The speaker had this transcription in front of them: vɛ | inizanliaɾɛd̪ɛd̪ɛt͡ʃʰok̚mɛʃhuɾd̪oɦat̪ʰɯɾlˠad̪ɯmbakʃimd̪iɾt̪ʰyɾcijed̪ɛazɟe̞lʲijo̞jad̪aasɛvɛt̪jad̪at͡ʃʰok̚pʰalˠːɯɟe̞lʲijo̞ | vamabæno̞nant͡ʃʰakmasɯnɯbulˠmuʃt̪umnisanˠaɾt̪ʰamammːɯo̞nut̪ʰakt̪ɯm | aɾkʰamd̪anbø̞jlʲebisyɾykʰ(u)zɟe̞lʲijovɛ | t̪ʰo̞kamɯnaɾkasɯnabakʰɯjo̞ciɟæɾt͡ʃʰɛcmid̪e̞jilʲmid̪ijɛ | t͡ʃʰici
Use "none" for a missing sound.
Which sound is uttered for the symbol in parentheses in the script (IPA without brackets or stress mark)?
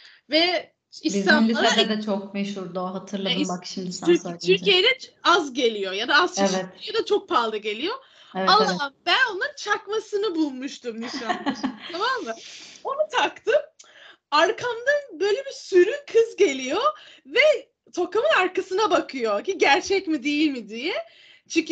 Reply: ɯ